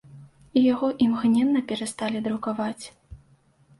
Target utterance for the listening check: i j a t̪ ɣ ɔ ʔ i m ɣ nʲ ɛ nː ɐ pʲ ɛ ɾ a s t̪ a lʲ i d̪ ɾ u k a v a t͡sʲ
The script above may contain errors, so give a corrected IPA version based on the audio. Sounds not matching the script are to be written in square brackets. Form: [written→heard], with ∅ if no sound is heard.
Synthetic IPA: i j a [t̪→∅] ɣ ɔ ʔ i m ɣ nʲ ɛ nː ɐ pʲ ɛ ɾ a s t̪ a lʲ i d̪ ɾ u k a v a t͡sʲ